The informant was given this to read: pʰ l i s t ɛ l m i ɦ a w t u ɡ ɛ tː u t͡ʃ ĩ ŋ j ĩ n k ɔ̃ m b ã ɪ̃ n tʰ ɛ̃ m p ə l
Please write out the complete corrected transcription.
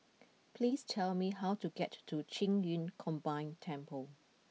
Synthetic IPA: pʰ l i s tʰ ɛ l m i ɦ a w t u ɡ ɛ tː u t͡ʃ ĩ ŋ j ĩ n kʰ ɔ̃ m b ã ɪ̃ n tʰ ɛ̃ m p ə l